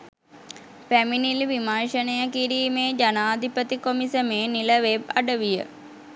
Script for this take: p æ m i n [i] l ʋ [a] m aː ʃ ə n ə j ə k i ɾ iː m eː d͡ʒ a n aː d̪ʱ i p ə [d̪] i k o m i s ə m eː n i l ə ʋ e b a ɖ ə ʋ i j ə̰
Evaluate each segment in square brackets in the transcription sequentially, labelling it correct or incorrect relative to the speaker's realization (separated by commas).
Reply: correct, incorrect, incorrect